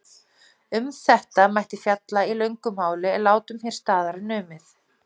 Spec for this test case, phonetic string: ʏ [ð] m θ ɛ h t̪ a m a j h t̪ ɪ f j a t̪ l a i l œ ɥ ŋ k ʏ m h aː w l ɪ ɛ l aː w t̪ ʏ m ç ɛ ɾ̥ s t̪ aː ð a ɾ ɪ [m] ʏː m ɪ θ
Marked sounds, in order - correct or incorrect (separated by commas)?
incorrect, incorrect